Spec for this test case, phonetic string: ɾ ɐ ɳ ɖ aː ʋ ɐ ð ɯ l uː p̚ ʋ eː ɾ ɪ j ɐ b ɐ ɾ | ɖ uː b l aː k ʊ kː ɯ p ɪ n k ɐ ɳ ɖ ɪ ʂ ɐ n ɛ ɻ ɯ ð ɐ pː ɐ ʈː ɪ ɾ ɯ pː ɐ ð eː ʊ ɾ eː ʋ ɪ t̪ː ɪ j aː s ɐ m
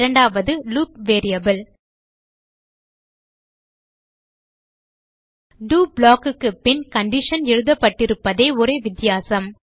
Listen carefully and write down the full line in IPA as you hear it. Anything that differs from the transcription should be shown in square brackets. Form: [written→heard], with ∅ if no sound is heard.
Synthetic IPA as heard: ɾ ɐ ɳ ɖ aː ʋ ɐ ð ɯ l uː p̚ ʋ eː ɾ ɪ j ɐ b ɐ [ɾ→l] | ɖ uː b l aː k [ʊ→ɯ] kː ɯ p ɪ n k ɐ ɳ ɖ ɪ ʂ ɐ n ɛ ɻ ɯ ð ɐ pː ɐ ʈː ɪ ɾ ɯ pː ɐ ð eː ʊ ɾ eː ʋ ɪ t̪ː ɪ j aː s ɐ m

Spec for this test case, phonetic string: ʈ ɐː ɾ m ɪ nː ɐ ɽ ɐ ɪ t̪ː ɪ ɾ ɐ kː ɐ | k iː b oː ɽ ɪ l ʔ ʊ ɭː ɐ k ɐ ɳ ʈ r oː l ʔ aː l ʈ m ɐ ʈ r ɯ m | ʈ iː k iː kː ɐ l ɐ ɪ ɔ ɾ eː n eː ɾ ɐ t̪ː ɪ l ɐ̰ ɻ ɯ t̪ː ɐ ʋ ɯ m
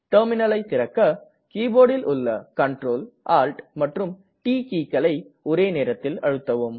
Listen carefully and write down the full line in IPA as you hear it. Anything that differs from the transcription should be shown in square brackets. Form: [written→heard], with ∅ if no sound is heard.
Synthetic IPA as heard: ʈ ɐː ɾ m ɪ [nː→n] ɐ [ɽ→l] ɐ ɪ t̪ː ɪ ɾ ɐ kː ɐ | k iː b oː ɽ ɪ l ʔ ʊ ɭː ɐ k ɐ ɳ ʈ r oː l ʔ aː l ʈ m ɐ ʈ r ɯ m | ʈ iː k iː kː ɐ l ɐ ɪ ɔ ɾ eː n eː ɾ ɐ t̪ː ɪ l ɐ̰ ɻ ɯ t̪ː ɐ ʋ ɯ m

